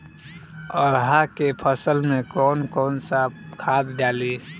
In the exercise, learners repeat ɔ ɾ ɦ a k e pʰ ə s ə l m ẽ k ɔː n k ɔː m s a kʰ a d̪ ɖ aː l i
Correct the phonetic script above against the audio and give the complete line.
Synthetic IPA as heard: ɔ ɾ ɦ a k e pʰ ə s ə l m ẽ k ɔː n k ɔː n s a kʰ a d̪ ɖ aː l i

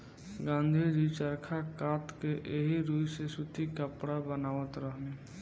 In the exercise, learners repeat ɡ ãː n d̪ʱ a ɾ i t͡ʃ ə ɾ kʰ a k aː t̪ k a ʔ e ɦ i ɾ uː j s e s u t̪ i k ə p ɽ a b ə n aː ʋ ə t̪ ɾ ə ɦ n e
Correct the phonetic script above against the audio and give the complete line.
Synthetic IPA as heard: ɡ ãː n d̪ʱ i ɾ i t͡ʃ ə ɾ kʰ a k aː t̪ k e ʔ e ɦ i ɾ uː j s e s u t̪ i k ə p ɽ a b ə n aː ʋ ə t̪ ɾ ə ɦ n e

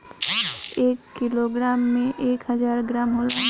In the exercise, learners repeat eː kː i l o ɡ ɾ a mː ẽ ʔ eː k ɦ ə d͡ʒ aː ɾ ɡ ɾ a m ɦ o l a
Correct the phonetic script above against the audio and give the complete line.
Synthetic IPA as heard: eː kː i l o ɡ ɾ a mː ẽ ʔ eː k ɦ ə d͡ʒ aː ɾ ɡ ɾ a m ɦ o l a

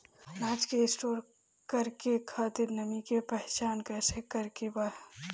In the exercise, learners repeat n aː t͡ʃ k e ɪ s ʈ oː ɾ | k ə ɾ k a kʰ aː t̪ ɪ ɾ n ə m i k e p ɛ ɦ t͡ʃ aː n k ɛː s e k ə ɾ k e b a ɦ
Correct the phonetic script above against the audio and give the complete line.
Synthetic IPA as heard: n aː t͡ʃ k e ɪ s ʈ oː ɾ | k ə ɾ k e kʰ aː t̪ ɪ ɾ n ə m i k e p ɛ ɦ t͡ʃ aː n k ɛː s e k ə ɾ k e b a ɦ

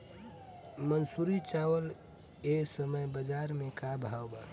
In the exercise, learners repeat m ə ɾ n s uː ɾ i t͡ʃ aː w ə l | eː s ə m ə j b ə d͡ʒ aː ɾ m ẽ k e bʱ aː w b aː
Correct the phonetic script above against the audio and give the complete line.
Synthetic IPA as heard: m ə n s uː ɾ i t͡ʃ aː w ə l | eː s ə m ə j b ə d͡ʒ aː ɾ m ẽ k a bʱ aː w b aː

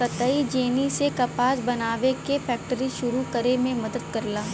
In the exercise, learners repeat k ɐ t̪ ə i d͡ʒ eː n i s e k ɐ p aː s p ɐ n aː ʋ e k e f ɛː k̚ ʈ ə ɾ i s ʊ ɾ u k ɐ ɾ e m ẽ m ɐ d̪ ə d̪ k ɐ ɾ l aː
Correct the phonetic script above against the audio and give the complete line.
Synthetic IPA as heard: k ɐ t̪ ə i d͡ʒ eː n i s e k ɐ p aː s b ɐ n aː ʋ e k e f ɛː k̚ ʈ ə ɾ i ʃ ʊ ɾ u k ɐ ɾ e m ẽ m ɐ d̪ ə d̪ k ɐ ɾ l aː

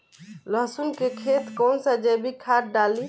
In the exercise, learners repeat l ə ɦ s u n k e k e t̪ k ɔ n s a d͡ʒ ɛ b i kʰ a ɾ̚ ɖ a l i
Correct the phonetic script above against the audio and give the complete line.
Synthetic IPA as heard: l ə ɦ s u n k e kʰ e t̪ k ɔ n s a d͡ʒ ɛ b i kʰ a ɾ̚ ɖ a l i

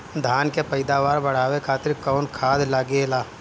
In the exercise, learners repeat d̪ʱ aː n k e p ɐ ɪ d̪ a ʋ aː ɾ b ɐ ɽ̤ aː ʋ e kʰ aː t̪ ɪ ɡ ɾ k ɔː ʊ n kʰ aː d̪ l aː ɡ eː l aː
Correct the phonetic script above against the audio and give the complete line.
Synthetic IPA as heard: d̪ʱ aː n k e p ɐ ɪ d̪ a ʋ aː ɾ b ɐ ɽ̤ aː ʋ e kʰ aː t̪ ɪ ɾ k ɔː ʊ n kʰ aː d̪ l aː ɡ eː l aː

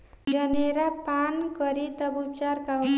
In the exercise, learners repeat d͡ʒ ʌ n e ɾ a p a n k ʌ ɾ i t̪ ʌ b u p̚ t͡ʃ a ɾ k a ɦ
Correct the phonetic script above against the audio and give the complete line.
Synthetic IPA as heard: d͡ʒ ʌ n e ɾ a p a n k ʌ ɾ i t̪ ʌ b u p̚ t͡ʃ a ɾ k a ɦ

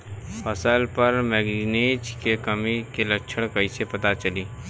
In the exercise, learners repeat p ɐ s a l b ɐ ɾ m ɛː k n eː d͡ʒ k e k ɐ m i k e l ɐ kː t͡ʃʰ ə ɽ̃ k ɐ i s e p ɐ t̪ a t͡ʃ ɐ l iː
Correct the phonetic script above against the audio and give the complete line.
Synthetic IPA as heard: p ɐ s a l p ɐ ɾ m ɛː ɡ n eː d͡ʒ k e k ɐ m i k e l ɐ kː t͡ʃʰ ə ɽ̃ k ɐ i s e p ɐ t̪ a t͡ʃ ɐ l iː

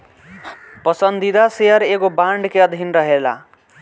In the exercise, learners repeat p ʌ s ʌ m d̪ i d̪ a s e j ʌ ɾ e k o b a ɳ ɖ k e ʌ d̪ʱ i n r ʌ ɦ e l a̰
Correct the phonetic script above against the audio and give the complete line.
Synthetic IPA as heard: p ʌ s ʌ n d̪ i d̪ a s e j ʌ ɾ e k o b a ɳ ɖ k e ʌ d̪ʱ i n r ʌ ɦ e l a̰

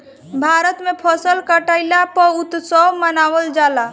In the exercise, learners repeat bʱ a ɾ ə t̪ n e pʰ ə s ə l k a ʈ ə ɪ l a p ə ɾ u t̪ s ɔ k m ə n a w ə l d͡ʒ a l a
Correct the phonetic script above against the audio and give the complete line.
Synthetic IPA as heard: bʱ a ɾ ə t̪ m e pʰ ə s ə l k ə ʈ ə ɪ l a p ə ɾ u t̪ s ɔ m ə n a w ə l d͡ʒ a l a

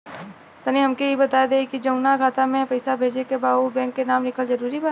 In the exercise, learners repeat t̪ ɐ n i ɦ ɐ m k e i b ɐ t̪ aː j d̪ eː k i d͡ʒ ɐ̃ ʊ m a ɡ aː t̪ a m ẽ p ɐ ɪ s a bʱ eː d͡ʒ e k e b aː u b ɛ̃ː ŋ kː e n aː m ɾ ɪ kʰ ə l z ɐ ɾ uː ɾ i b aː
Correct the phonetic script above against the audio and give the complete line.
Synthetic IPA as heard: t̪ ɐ n i ɦ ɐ m k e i b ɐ t̪ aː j d̪ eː k i d͡ʒ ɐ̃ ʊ n a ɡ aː t̪ a m ẽ p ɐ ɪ s a bʱ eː d͡ʒ e k e b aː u b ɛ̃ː ŋ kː e n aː m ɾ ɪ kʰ ə l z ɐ ɾ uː ɾ i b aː

